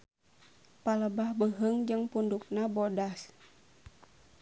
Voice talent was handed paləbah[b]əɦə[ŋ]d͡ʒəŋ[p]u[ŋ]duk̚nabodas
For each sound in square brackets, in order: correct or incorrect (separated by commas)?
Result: correct, correct, correct, incorrect